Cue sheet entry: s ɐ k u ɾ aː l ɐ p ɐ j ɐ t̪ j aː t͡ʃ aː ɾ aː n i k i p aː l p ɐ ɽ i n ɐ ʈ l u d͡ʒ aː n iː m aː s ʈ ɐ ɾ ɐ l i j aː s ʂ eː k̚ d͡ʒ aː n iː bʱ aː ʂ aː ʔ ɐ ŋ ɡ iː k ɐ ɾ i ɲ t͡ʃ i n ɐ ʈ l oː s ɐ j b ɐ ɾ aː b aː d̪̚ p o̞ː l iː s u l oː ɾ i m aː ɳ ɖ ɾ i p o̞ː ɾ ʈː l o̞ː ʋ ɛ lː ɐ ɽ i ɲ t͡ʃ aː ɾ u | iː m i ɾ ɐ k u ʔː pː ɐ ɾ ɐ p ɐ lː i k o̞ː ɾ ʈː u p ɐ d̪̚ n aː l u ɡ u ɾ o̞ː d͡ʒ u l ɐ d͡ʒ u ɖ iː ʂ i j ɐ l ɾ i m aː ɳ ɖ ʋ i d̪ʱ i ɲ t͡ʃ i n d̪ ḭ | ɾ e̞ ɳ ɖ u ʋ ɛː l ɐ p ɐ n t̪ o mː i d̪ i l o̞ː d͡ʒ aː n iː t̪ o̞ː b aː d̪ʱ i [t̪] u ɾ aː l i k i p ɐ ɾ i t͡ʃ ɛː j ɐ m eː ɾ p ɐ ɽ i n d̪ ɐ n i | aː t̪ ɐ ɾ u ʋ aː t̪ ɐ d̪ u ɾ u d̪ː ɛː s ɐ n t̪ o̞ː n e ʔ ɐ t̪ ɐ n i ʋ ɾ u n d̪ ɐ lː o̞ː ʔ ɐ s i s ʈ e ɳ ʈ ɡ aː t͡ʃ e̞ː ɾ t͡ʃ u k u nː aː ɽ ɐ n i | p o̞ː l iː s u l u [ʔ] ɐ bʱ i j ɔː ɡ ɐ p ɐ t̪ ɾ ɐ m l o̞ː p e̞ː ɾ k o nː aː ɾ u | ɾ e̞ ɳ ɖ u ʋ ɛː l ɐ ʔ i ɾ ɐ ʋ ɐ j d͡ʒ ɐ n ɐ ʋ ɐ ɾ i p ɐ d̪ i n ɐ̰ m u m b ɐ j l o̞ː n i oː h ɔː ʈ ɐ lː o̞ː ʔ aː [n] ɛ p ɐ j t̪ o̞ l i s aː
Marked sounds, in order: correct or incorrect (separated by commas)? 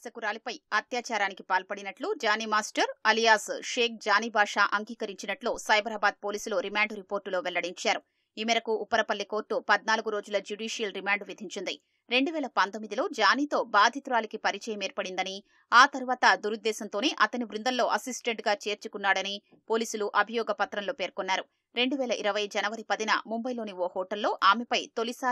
correct, correct, incorrect